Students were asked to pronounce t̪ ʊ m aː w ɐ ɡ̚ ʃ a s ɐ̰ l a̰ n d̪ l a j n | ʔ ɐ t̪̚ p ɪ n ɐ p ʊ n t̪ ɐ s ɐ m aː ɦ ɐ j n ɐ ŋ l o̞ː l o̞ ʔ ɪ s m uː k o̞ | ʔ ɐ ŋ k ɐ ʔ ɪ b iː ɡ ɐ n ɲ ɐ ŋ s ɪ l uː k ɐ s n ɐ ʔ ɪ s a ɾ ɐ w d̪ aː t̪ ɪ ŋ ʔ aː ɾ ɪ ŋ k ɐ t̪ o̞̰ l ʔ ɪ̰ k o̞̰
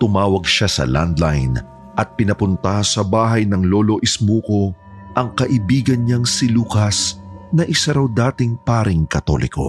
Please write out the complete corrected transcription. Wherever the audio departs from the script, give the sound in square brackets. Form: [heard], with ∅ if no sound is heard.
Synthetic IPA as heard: t̪ ʊ m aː w ɐ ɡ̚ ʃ a s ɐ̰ l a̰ n d̪ l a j n | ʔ ɐ t̪̚ p ɪ n ɐ p ʊ n t̪ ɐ s ɐ [b] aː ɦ ɐ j n ɐ ŋ l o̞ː l o̞ ʔ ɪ s m uː k o̞ | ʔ ɐ ŋ k ɐ ʔ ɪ b iː ɡ ɐ n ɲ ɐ ŋ s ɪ l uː k ɐ s n ɐ ʔ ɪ s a ɾ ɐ w d̪ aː t̪ ɪ ŋ [p] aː ɾ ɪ ŋ k ɐ t̪ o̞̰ l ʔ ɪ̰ k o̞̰